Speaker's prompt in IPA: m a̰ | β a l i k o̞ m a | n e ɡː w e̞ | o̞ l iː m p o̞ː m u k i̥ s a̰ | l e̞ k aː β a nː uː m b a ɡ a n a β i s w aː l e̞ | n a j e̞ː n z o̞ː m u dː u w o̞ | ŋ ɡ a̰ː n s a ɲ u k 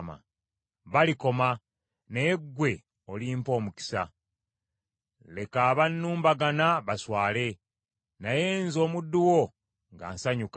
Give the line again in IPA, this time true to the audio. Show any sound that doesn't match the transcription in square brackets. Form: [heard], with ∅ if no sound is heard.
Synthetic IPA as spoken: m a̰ | β a l i k o̞ m a | n e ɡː w e̞ | o̞ l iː m p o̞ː m u k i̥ s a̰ | l e̞ k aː β a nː uː m b a ɡ a n a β [a] s w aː l e̞ | n a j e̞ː n z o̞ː m u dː u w o̞ | ŋ ɡ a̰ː n s a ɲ u k